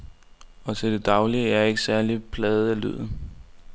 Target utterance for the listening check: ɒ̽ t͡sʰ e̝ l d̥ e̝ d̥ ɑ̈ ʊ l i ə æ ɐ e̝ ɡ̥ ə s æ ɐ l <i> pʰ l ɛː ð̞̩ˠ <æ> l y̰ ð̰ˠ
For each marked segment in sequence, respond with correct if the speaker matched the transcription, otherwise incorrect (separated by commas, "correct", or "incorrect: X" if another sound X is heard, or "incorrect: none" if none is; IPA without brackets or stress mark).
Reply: correct, correct